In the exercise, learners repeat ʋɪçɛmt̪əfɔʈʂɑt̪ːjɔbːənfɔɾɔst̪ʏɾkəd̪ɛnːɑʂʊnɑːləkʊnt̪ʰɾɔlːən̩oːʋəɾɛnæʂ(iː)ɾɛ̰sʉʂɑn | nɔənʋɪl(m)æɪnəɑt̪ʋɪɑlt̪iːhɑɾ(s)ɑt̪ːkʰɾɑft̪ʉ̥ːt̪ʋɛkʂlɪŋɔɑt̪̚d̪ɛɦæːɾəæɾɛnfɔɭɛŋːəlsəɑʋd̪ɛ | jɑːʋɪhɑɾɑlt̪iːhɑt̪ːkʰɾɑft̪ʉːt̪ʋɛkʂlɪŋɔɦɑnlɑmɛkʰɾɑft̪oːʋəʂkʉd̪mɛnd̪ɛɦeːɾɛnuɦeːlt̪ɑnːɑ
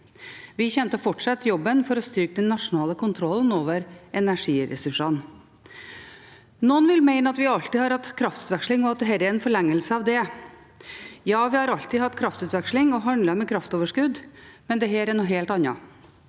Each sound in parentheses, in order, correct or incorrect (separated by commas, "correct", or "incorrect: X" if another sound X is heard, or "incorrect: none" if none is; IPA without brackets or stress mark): correct, correct, incorrect: h